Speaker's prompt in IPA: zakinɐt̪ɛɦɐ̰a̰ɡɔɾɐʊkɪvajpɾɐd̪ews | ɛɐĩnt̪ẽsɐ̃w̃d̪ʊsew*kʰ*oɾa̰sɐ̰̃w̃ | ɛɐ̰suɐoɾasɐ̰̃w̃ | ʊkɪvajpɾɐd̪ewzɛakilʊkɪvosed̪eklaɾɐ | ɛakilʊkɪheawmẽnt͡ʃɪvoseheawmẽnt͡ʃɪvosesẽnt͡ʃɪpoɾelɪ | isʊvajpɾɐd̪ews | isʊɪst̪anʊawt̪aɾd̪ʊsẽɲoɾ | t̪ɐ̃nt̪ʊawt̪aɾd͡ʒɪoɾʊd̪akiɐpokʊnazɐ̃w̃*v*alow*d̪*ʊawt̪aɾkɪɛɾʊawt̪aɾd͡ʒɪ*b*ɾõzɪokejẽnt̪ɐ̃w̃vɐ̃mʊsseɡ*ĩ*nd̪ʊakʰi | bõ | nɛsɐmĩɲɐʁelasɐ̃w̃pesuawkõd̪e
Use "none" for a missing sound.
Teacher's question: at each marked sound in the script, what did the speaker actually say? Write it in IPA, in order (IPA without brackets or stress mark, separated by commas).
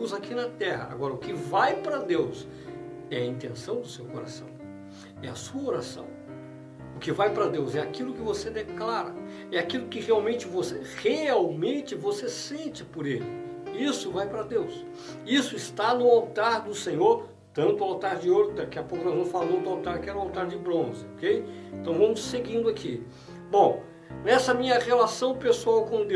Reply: k, f, d̪, b, ĩ